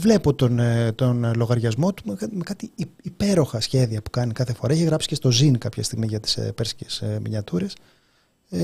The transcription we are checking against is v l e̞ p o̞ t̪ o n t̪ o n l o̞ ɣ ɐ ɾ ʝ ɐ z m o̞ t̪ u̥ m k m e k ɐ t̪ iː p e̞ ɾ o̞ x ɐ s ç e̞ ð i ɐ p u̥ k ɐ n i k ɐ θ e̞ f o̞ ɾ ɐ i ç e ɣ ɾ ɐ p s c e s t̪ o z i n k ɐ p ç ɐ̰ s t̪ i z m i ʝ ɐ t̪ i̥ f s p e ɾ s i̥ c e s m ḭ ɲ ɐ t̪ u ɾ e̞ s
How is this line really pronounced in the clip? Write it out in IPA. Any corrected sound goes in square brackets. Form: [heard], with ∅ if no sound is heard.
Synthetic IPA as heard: v l e̞ p o̞ t̪ o n t̪ o n l o̞ ɣ ɐ ɾ ʝ ɐ z m o̞ t̪ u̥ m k m e k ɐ t̪ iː p e̞ ɾ o̞ x ɐ s ç e̞ ð i ɐ p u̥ k ɐ n i k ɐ θ e̞ f o̞ ɾ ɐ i ç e ɣ ɾ ɐ p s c e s t̪ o z i n k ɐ p ç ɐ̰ s t̪ i [ɣ] m i ʝ ɐ t̪ i̥ [∅] s p e ɾ s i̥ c e s m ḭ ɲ ɐ t̪ u ɾ e̞ s